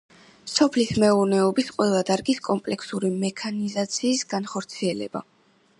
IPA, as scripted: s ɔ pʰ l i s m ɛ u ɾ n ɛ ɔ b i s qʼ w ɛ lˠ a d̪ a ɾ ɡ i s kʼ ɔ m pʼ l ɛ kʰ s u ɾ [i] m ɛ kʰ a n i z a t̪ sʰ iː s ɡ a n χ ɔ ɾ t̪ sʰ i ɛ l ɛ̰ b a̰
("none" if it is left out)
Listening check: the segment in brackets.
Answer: i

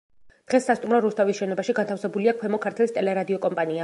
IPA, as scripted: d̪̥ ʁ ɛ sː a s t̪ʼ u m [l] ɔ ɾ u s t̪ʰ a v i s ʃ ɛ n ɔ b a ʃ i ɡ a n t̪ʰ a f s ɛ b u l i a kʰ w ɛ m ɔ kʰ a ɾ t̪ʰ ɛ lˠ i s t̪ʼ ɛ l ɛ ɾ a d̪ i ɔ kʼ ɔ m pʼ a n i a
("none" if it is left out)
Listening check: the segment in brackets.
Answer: ɾ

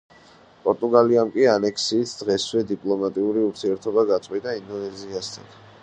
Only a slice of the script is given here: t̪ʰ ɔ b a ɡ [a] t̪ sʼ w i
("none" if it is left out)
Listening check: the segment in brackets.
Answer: a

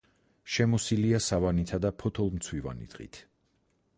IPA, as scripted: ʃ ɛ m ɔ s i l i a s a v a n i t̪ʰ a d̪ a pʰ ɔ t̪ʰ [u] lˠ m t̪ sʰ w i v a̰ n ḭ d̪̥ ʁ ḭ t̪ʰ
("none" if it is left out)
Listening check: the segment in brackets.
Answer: ɔ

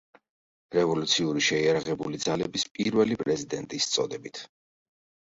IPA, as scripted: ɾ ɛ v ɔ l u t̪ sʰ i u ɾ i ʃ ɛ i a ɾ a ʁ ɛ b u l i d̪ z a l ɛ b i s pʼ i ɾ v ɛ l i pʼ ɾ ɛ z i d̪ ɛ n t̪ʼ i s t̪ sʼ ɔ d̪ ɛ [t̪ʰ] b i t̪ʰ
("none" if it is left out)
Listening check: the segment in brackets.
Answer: none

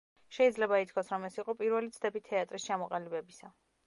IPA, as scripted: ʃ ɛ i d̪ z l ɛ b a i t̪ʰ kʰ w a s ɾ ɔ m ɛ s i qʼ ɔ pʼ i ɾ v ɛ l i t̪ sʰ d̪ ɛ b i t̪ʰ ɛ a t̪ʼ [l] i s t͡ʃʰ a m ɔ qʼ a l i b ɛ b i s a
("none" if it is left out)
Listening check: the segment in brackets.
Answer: ɾ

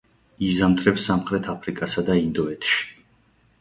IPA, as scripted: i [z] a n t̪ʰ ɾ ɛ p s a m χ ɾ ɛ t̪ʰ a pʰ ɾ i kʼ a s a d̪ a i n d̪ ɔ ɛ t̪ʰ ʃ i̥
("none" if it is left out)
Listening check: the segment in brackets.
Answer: z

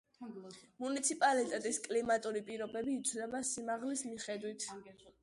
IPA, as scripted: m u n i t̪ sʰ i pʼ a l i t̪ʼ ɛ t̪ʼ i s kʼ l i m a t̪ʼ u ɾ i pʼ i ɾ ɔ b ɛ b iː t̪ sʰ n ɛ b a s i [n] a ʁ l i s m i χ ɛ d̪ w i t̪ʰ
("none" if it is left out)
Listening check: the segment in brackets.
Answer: m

